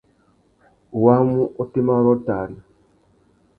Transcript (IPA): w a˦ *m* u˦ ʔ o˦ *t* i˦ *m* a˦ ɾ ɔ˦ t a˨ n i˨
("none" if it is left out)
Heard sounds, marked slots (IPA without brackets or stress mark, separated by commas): m, t, m